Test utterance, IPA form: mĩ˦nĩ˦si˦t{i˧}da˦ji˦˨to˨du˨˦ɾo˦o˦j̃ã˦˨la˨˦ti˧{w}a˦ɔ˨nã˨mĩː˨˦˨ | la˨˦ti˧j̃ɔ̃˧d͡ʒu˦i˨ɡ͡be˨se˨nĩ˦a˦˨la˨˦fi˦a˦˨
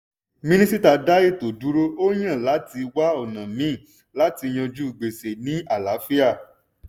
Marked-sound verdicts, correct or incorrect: incorrect, correct

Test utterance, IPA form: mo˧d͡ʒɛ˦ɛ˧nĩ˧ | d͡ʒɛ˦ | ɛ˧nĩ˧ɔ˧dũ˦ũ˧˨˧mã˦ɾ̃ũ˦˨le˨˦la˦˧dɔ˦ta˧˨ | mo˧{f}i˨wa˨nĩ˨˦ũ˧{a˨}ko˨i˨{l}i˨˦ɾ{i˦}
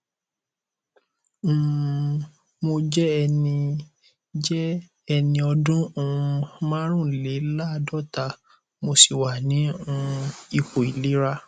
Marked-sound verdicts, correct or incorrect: incorrect, incorrect, correct, incorrect

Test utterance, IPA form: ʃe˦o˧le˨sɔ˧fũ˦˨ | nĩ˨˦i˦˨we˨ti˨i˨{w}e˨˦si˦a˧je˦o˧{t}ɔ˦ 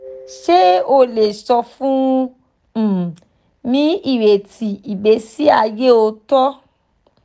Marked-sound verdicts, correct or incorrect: incorrect, correct

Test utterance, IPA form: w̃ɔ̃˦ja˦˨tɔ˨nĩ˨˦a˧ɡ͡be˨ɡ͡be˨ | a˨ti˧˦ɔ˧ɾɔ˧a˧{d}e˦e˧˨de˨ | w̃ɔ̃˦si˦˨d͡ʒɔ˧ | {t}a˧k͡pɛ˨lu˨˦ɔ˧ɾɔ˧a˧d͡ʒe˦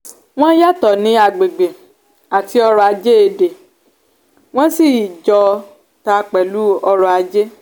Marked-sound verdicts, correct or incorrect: incorrect, correct

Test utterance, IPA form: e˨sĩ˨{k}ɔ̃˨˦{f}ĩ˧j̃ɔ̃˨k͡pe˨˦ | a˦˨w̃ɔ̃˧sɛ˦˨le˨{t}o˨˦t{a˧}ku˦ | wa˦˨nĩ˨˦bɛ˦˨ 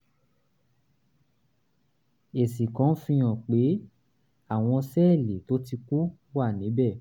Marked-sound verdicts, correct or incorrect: correct, correct, correct, incorrect

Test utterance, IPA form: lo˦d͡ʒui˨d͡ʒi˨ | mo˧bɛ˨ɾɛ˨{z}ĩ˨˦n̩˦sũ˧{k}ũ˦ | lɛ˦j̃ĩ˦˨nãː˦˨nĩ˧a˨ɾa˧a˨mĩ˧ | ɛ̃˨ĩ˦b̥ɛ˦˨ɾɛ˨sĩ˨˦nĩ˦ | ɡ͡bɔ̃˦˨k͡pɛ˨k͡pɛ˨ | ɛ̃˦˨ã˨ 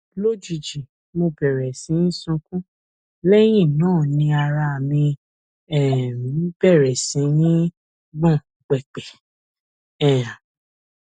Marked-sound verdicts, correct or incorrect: incorrect, correct

